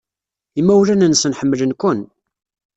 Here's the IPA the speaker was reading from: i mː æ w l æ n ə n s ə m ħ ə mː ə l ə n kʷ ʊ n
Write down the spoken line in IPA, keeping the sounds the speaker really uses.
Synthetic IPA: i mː æ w l æ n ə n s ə n ħ ə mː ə l ə n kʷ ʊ n